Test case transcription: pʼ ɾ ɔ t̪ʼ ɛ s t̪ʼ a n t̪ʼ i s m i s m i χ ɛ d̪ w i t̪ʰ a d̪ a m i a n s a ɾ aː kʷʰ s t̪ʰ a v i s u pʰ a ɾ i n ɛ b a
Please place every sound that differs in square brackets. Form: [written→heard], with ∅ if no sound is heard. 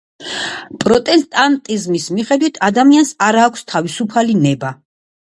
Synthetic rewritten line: pʼ ɾ ɔ t̪ʼ ɛ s t̪ʼ a n t̪ʼ i [s→z] m i s m i χ ɛ d̪ w i t̪ʰ a d̪ a m i a n s a ɾ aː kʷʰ s t̪ʰ a v i s u pʰ a [ɾ→l] i n ɛ b a